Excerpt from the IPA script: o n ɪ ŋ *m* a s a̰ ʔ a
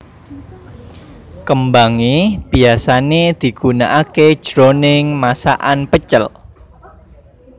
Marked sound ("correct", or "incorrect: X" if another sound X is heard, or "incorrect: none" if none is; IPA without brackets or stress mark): correct